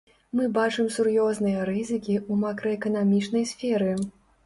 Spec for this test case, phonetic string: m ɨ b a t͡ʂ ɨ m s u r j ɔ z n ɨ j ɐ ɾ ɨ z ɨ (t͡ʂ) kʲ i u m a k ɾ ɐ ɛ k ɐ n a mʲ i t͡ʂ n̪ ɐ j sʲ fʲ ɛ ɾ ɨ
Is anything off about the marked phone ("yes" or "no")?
yes